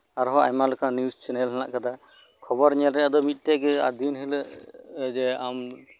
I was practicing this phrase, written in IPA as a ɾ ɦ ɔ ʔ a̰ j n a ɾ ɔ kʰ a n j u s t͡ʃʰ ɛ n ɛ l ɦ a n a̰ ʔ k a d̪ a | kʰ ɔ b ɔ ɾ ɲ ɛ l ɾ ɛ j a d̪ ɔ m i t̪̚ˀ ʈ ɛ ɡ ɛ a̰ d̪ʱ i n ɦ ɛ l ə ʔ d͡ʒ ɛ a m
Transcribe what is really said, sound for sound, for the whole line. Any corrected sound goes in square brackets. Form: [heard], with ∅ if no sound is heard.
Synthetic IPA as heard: a ɾ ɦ ɔ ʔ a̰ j [m] a [l] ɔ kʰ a n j u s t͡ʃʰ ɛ n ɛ l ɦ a n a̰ ʔ k a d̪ a | kʰ ɔ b ɔ ɾ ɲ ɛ l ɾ ɛ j a d̪ ɔ m i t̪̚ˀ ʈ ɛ ɡ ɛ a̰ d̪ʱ i n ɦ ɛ l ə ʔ d͡ʒ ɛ a m